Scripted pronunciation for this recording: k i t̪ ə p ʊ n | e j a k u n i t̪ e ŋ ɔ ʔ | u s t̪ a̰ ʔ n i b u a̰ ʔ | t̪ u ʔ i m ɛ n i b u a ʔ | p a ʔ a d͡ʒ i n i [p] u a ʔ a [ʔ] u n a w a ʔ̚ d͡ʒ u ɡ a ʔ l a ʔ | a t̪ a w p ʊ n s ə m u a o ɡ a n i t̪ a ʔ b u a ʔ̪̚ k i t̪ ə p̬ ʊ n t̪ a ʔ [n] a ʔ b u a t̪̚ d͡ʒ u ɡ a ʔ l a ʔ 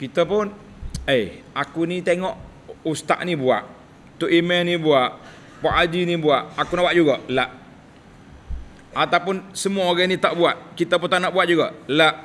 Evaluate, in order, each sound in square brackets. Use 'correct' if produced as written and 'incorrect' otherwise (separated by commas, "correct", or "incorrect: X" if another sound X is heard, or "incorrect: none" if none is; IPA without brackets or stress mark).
incorrect: b, incorrect: k, correct